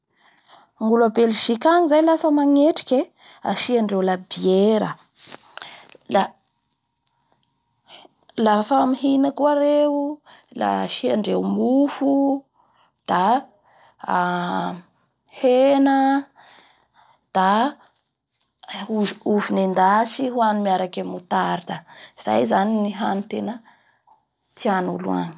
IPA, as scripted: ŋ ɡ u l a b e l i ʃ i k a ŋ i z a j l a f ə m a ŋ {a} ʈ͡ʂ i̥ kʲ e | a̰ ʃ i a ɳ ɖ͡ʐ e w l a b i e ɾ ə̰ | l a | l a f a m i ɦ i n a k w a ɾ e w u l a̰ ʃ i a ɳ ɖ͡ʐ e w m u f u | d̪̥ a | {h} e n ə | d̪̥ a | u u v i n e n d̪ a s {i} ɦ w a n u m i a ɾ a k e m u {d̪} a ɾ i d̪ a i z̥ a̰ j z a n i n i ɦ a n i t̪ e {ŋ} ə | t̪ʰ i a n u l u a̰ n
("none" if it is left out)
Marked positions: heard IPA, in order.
e, h, i, t̪, n

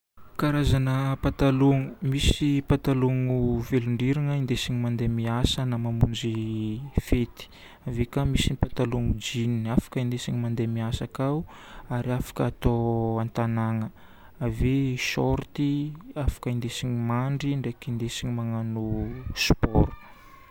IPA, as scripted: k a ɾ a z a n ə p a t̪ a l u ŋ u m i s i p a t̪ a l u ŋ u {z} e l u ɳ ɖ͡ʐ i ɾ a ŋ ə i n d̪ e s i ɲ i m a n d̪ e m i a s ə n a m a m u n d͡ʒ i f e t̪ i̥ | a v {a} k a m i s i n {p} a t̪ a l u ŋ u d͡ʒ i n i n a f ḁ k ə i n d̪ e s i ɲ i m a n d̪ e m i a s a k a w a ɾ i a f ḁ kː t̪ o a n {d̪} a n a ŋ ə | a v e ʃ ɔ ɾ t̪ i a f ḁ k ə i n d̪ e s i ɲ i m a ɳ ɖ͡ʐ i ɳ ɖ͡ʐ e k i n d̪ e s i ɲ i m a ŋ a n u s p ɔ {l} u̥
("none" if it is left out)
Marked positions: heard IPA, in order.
v, e, p, t̪, ɾ

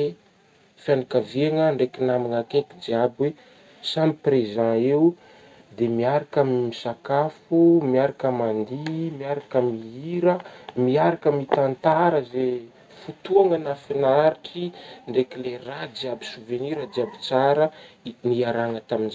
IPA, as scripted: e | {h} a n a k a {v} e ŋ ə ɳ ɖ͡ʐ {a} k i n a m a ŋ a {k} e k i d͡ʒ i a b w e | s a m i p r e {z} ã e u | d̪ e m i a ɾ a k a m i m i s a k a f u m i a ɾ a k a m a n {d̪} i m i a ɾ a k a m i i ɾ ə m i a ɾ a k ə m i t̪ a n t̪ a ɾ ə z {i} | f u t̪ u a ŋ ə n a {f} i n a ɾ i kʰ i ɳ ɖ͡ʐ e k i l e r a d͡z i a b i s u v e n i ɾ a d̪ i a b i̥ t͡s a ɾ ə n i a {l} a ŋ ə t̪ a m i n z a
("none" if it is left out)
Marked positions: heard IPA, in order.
f, v, e, k, z, d̪, e, f, ɾ

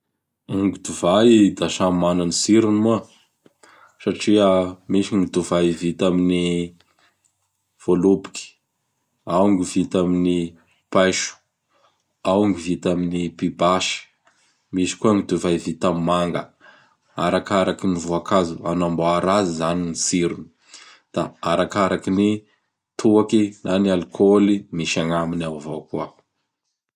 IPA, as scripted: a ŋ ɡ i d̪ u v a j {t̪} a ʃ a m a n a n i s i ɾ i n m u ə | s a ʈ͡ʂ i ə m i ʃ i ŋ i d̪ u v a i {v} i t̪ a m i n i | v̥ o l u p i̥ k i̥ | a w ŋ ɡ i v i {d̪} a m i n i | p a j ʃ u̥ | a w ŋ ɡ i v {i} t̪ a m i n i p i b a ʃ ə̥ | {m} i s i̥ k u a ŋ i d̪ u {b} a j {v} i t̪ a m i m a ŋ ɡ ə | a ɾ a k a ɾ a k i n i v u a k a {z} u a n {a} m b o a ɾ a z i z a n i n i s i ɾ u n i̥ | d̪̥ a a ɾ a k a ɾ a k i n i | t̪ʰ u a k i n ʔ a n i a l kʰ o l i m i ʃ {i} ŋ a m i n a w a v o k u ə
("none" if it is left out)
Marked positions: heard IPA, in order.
d̪, v, t̪, i, m, v, v, z, a, a

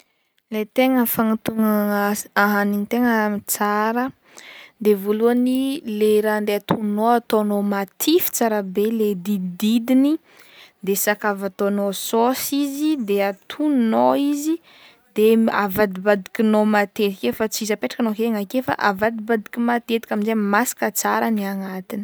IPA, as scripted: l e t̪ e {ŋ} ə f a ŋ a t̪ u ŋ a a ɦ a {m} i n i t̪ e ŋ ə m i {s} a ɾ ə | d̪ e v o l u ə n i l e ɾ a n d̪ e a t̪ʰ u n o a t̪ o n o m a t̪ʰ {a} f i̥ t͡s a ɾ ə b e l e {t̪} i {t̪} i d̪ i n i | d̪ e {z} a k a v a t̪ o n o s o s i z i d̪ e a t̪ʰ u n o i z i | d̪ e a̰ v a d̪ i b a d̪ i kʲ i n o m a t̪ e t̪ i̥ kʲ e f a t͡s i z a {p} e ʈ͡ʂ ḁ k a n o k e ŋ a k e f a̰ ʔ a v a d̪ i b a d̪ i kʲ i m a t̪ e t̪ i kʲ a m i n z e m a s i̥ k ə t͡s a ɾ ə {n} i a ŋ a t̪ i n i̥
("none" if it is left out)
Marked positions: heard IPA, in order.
ŋ, n, t͡s, i, d̪, d̪, s, p, n

